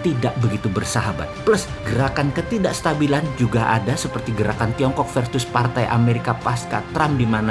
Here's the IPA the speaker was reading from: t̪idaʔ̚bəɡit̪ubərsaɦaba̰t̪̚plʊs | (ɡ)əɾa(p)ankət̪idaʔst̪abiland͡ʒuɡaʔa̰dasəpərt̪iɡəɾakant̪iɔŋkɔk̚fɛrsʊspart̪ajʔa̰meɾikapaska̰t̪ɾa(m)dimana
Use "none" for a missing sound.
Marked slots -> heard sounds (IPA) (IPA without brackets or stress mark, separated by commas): ɡ, k, m